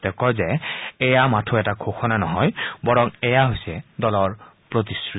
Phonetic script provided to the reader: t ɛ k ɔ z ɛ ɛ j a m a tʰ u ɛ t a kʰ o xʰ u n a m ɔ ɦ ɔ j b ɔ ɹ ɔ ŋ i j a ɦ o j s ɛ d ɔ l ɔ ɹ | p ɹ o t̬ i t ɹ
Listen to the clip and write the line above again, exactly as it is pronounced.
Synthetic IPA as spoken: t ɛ k ɔ z ɛ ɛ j a m a tʰ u ɛ t a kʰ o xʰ ɔ n a n ɔ ɦ ɔ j b ɔ ɹ ɔ ŋ ɛ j a ɦ o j s ɛ d ɔ l ɔ ɹ | p ɹ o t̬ i s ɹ